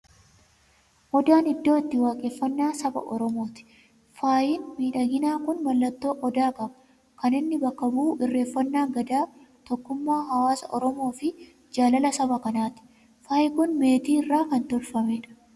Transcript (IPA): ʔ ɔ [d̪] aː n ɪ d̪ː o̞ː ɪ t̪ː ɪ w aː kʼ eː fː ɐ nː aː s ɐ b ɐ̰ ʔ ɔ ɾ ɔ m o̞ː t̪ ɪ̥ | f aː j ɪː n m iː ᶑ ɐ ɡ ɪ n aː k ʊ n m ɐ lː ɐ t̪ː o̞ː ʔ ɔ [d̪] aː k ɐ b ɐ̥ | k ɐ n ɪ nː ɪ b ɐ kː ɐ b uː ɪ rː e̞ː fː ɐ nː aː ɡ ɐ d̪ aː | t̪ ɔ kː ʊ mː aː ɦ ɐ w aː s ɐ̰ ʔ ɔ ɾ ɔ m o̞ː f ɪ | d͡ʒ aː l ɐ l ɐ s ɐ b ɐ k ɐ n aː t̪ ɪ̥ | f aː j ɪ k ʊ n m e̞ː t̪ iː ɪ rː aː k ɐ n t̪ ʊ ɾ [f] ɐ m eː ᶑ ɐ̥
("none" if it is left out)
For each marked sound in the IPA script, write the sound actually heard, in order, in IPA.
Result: d̪, d̪, f

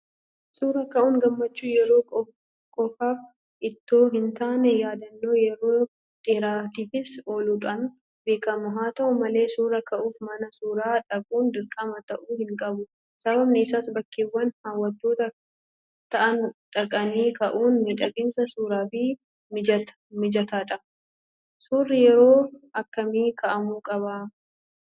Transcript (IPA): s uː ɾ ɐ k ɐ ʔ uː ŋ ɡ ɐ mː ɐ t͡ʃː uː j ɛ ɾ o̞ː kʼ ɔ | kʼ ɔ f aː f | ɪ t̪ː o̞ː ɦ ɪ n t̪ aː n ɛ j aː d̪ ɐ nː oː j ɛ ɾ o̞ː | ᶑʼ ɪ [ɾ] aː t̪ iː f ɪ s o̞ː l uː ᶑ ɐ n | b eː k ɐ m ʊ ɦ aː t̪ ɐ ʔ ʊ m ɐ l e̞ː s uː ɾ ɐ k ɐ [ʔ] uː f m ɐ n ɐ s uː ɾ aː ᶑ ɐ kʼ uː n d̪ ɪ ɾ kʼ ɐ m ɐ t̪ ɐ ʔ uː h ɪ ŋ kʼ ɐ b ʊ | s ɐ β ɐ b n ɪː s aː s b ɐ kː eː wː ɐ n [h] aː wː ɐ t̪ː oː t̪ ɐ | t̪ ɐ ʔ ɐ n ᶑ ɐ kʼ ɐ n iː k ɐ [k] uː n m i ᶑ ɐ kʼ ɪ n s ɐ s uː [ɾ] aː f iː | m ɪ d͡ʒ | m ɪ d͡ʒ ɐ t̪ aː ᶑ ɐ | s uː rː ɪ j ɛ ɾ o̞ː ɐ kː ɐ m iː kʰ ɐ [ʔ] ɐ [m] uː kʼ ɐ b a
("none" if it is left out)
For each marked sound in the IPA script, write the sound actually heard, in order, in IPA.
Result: ɾ, ʔ, h, ʔ, ɾ, ʔ, m

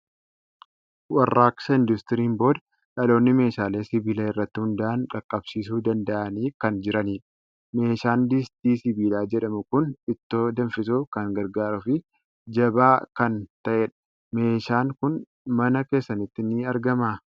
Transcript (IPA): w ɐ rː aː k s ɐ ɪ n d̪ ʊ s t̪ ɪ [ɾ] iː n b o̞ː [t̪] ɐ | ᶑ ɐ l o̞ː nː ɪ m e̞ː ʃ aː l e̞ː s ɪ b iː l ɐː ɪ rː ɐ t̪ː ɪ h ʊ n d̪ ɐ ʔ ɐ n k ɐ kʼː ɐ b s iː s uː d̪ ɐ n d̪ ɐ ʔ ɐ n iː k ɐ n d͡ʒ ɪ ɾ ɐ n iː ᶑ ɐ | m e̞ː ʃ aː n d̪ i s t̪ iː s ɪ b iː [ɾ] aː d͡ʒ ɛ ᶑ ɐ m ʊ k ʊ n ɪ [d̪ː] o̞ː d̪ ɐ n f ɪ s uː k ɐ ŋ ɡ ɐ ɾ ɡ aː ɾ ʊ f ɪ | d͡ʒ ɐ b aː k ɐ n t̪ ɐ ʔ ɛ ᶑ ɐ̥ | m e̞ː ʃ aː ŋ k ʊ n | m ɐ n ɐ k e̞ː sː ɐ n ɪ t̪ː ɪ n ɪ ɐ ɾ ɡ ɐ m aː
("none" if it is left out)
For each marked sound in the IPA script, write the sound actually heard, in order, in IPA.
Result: ɾ, d̪, l, t̪ː

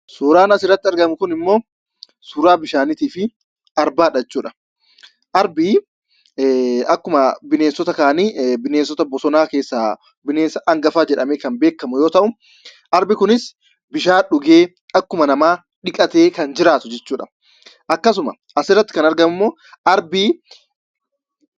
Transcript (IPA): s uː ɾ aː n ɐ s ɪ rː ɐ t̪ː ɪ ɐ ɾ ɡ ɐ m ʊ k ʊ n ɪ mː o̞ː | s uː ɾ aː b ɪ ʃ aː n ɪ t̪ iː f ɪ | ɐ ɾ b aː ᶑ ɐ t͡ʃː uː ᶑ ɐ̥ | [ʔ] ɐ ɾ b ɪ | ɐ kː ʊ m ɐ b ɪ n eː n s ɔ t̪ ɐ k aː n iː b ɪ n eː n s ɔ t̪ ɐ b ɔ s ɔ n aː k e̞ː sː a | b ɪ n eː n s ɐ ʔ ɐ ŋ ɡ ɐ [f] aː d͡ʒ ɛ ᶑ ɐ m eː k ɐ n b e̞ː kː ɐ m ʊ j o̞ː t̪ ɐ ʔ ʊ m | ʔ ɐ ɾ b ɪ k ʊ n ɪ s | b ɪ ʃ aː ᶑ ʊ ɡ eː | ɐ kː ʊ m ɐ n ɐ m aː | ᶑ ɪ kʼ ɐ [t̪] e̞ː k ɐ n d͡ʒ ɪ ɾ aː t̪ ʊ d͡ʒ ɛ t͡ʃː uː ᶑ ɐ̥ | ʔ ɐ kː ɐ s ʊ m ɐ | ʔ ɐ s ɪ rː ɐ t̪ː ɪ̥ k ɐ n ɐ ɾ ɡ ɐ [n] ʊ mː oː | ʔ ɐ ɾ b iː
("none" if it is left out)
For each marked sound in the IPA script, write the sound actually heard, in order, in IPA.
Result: ʔ, f, t̪, m

